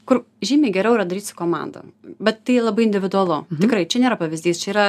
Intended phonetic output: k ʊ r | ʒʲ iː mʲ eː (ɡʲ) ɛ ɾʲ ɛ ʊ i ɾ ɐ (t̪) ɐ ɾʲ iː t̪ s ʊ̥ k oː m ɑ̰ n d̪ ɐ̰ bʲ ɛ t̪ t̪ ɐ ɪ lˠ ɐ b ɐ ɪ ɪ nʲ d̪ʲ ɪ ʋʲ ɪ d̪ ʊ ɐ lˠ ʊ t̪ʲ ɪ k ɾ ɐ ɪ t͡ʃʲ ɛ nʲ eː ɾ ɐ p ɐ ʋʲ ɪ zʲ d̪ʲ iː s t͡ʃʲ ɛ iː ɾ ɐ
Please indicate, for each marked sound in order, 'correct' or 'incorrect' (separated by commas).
correct, incorrect